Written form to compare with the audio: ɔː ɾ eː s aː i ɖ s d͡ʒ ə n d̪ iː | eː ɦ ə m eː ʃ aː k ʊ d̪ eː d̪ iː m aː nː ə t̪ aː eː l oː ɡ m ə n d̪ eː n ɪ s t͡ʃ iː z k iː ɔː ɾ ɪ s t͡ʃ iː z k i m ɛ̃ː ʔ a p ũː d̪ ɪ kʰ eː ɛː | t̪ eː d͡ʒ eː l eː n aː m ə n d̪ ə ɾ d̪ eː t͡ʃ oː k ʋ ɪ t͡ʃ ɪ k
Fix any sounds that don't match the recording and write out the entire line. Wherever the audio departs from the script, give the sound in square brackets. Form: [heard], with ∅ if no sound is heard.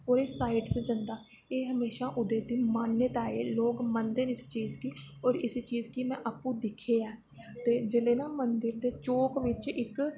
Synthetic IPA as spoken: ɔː ɾ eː s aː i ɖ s d͡ʒ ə n d̪ [aː] | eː ɦ ə m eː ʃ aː [ʔ] ʊ d̪ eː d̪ iː m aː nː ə t̪ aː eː l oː ɡ m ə n d̪ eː n ɪ s t͡ʃ iː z k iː ɔː ɾ ɪ s t͡ʃ iː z k i m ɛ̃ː ʔ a p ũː d̪ ɪ kʰ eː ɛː | t̪ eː d͡ʒ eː l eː n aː m ə n d̪ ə ɾ d̪ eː t͡ʃ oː k ʋ ɪ t͡ʃ ɪ k